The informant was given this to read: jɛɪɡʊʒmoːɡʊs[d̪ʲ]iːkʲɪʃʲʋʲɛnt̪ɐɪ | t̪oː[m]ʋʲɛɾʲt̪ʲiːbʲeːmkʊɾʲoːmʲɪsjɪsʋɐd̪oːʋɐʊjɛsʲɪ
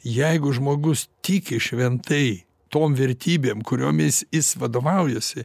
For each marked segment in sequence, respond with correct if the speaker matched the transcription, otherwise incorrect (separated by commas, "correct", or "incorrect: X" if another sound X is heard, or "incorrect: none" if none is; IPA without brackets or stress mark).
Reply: incorrect: t̪ʲ, correct